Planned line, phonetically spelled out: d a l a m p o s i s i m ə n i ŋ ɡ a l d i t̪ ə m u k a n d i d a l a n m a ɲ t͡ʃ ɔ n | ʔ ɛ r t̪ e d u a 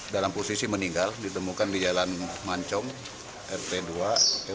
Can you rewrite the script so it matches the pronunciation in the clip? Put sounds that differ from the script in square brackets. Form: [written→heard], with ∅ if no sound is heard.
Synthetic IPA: d a l a m p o s i s i m ə n i ŋ ɡ a l d i t̪ ə m u k a n d i [d→d͡ʒ] a l a n m a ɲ t͡ʃ ɔ [n→ŋ] | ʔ ɛ r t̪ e d u a